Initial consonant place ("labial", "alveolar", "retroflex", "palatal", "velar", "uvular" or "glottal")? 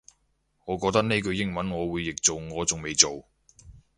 velar